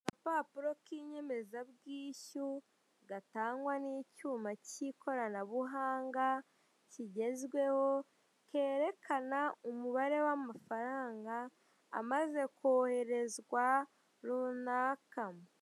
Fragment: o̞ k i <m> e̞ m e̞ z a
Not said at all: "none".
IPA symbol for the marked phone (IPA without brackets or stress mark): ɲ